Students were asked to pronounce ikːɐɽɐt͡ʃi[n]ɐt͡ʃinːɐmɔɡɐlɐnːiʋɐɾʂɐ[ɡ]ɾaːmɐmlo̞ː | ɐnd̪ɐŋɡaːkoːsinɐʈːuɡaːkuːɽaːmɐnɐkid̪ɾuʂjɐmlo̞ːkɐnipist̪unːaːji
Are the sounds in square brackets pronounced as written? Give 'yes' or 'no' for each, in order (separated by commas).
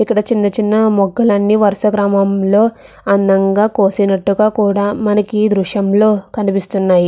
no, yes